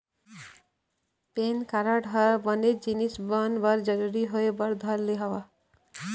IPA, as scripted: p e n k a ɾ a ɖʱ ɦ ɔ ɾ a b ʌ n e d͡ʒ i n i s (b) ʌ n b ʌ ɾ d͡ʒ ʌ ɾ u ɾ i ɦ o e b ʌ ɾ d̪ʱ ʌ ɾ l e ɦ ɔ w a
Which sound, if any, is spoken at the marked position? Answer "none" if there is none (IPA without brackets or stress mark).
b